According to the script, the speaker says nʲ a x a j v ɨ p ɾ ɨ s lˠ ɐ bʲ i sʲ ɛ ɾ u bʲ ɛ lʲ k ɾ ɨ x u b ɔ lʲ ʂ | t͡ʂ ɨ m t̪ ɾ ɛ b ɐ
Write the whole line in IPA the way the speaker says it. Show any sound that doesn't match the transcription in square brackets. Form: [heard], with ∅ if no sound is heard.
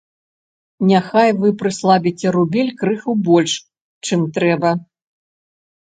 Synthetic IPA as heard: nʲ a x a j v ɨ p ɾ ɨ s lˠ [a] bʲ i [t͡sʲ] ɛ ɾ u bʲ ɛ lʲ k ɾ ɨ x u b ɔ lʲ ʂ | t͡ʂ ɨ m t̪ ɾ ɛ b ɐ